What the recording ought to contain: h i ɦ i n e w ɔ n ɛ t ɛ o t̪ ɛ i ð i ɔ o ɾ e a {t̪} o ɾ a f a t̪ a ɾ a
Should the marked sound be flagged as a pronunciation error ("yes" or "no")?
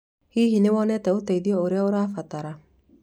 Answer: yes